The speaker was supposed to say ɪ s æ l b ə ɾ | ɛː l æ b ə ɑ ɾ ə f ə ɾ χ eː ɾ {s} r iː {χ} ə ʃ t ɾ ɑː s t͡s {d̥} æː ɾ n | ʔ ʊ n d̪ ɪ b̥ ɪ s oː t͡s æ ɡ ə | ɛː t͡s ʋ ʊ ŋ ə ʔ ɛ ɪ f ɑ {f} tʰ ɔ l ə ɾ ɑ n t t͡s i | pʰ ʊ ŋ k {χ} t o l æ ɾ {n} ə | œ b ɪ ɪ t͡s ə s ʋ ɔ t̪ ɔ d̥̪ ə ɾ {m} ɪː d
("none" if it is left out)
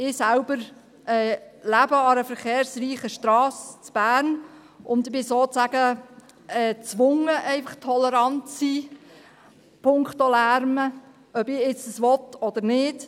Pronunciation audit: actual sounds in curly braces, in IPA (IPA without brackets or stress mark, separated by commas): s, χ, b̥, χ, χ, m, n